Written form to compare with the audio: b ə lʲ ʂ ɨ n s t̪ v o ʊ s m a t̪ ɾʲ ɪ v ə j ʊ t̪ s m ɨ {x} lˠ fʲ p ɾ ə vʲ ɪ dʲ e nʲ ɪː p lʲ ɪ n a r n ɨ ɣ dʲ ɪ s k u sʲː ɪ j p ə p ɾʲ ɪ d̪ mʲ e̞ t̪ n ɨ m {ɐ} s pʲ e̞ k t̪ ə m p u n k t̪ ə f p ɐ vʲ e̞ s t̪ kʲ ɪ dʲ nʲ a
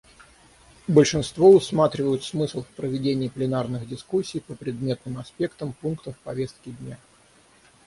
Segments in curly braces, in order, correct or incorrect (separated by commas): incorrect, correct